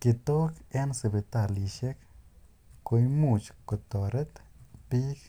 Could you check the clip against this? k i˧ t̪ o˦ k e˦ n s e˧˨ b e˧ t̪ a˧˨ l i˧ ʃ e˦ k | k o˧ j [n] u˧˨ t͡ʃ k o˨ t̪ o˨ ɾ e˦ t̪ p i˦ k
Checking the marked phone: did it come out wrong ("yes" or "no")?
yes